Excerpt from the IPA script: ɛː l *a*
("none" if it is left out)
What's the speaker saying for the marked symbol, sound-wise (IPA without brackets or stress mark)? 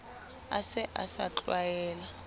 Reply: a